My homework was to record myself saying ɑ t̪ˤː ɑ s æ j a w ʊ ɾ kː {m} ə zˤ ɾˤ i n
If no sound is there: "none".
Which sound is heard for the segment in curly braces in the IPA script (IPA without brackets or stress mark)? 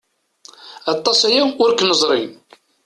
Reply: n